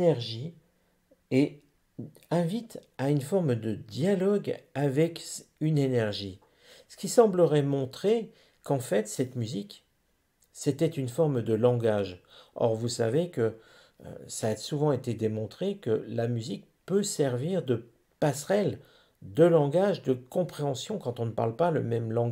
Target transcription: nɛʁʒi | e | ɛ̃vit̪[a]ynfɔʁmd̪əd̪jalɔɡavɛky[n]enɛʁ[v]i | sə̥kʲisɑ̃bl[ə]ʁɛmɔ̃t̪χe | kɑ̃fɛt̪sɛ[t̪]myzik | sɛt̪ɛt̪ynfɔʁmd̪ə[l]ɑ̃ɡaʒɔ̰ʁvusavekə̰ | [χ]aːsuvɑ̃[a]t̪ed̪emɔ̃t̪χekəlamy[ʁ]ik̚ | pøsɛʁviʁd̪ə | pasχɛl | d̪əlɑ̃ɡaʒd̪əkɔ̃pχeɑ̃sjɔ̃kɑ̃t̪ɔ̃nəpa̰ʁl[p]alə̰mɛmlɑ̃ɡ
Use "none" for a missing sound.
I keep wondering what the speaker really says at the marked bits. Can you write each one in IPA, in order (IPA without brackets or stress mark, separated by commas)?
a, n, ʒ, ə, t̪, l, s, e, z, p